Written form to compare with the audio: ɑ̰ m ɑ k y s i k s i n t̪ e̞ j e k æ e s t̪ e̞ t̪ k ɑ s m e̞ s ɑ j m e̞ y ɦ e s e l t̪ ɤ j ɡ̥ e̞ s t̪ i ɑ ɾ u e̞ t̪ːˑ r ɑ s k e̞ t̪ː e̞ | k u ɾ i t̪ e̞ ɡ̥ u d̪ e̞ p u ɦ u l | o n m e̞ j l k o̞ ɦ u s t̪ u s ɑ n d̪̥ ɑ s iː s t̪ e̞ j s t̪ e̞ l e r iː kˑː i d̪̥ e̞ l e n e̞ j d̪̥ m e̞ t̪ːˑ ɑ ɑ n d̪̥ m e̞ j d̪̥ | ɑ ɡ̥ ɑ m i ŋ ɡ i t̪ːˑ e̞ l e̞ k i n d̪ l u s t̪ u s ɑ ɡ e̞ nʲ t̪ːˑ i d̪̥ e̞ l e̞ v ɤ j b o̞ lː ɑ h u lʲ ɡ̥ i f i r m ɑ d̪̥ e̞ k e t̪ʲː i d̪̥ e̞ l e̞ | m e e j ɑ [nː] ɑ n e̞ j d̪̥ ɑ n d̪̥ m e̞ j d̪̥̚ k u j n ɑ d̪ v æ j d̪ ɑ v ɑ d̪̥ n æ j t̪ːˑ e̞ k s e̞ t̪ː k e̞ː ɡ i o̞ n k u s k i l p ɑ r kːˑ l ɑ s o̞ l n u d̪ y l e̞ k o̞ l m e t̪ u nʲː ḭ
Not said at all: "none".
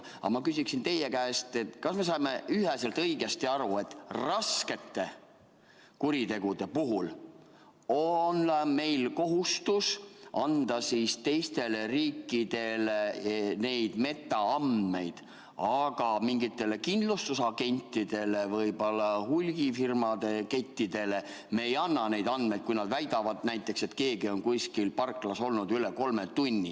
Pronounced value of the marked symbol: nː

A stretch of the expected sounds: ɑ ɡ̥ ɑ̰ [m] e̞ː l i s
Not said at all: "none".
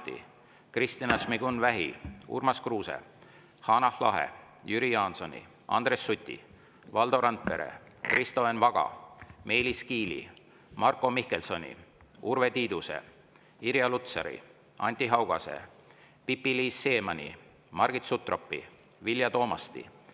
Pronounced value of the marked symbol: m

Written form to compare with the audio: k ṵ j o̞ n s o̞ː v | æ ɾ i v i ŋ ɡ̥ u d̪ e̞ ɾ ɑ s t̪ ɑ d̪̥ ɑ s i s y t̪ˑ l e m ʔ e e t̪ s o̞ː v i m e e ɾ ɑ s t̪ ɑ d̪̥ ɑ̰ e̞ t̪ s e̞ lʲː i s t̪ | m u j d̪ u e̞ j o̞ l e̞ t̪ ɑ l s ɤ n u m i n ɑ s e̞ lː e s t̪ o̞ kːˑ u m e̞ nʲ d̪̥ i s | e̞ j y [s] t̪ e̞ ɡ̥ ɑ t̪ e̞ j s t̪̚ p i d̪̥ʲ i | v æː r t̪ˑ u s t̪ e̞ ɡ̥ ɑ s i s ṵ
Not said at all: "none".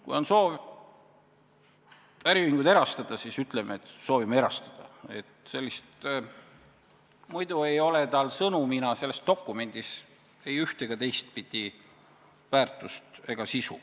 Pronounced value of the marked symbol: h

